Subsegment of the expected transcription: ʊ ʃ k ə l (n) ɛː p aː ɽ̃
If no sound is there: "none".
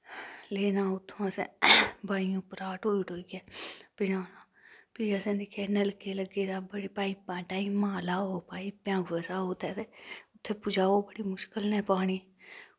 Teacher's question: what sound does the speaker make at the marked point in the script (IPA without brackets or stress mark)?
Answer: n